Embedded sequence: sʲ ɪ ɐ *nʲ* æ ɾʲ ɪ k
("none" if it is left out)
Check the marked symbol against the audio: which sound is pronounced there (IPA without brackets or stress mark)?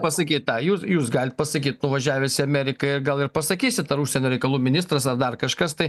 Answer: mʲ